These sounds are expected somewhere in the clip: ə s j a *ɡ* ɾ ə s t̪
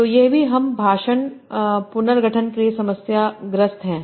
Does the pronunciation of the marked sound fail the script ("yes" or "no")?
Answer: no